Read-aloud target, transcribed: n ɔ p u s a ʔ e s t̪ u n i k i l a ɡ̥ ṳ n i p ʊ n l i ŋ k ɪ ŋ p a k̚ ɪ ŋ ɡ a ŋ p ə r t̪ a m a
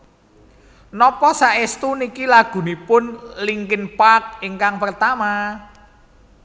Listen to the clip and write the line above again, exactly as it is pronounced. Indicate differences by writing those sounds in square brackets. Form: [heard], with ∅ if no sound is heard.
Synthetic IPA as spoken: n ɔ p [ɔ] s a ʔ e s t̪ u n i k i l a ɡ̥ ṳ n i p ʊ n l i ŋ k ɪ [n] p a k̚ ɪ ŋ [k] a ŋ p ə r t̪ a m a